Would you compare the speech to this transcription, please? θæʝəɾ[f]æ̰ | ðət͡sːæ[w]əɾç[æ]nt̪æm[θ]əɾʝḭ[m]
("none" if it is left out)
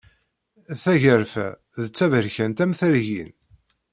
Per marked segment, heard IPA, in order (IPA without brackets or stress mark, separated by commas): f, v, æ, θ, n